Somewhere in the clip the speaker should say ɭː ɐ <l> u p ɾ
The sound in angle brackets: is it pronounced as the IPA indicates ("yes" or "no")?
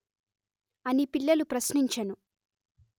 yes